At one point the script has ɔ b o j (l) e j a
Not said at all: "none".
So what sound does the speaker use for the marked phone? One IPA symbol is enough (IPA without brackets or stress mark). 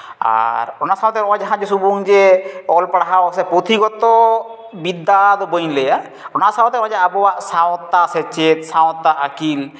l